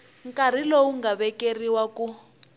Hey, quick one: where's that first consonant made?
velum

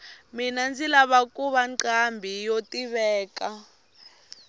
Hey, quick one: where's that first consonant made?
lips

